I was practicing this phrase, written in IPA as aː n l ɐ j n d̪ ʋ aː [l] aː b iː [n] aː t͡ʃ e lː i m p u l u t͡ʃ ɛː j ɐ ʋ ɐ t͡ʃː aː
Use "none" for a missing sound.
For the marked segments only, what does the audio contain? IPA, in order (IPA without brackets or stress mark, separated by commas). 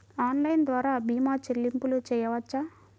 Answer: ɾ, m